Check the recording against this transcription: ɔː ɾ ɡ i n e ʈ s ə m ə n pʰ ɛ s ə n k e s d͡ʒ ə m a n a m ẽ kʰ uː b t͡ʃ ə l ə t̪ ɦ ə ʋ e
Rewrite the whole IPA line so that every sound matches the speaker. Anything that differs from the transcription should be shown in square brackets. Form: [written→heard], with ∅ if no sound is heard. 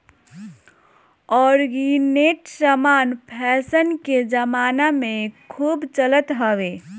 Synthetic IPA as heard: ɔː ɾ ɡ i n e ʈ s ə m [ə→a] n pʰ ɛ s ə n k e [s→∅] d͡ʒ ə m a n a m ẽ kʰ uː b t͡ʃ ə l ə t̪ ɦ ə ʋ e